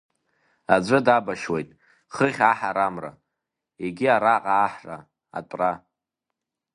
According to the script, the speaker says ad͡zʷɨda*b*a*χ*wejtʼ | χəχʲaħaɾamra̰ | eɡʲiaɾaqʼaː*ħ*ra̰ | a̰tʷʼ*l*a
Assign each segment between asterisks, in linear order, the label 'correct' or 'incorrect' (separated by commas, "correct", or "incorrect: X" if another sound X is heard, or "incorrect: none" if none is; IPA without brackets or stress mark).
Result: correct, incorrect: ʃ, correct, incorrect: r